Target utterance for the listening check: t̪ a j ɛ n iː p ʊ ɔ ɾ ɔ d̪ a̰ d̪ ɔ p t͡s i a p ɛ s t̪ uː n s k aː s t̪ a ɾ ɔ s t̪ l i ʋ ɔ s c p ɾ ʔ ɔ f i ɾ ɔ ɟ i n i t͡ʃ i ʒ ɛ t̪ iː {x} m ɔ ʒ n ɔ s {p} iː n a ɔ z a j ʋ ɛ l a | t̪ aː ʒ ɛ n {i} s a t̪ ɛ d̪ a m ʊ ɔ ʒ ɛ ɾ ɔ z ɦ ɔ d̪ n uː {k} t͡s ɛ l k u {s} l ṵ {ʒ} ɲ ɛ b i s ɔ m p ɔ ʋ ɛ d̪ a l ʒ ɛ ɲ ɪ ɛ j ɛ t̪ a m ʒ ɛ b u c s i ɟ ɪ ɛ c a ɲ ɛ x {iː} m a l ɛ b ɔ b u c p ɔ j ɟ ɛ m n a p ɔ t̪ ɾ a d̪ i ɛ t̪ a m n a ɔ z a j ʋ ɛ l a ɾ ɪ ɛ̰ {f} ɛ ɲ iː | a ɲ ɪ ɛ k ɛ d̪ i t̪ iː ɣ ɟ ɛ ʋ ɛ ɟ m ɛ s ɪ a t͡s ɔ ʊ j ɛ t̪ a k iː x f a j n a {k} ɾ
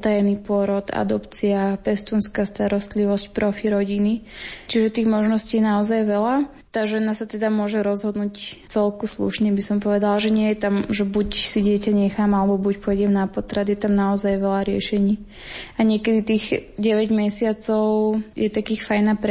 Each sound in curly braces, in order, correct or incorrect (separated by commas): incorrect, incorrect, incorrect, incorrect, correct, incorrect, incorrect, incorrect, incorrect